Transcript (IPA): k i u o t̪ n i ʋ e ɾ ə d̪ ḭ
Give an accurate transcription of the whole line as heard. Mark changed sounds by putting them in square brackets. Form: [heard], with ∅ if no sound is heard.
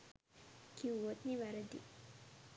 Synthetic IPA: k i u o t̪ n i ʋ [a] ɾ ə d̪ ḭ